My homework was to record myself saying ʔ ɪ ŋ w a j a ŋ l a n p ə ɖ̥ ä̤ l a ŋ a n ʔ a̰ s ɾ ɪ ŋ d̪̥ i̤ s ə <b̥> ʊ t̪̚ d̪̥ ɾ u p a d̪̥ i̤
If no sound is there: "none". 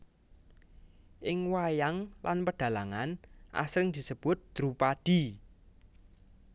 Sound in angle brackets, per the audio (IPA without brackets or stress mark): b̥